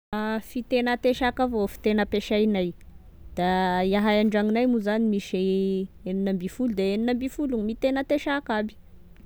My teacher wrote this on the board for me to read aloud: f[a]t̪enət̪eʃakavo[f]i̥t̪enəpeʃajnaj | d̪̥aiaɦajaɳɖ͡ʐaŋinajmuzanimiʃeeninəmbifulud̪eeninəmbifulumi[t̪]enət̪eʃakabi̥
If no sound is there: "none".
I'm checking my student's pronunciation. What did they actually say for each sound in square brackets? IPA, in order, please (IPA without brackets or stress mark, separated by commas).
i, f, t̪